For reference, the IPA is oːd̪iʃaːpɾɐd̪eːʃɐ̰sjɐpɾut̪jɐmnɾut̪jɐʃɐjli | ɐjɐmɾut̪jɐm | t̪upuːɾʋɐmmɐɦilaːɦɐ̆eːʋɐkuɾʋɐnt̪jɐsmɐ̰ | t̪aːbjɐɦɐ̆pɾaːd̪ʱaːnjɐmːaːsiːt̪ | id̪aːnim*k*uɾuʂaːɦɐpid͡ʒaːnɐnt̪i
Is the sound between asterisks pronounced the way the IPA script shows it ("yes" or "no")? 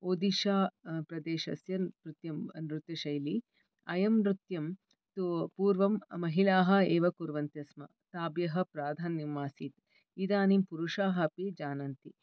no